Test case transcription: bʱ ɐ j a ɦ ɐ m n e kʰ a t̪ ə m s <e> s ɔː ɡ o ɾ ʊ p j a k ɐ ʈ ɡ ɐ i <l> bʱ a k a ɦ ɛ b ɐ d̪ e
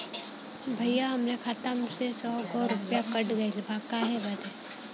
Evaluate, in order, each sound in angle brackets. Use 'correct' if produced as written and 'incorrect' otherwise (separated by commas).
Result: correct, correct